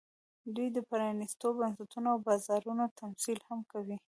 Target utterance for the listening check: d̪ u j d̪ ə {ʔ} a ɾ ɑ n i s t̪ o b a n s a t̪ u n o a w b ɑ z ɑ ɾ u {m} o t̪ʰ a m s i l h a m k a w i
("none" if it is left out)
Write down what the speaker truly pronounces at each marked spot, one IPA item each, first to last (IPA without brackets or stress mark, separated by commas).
p, n